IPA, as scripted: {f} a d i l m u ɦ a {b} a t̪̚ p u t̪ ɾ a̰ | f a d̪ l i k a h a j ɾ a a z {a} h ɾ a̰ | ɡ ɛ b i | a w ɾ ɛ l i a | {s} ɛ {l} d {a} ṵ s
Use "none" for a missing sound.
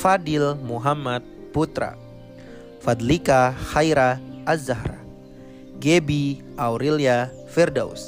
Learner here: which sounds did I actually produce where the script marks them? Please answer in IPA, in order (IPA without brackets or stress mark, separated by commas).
f, m, a, f, r, a